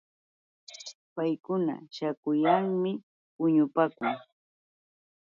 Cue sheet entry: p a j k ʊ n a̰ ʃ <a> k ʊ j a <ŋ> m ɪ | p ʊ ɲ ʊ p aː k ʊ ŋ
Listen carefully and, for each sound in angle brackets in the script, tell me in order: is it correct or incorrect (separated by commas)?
correct, correct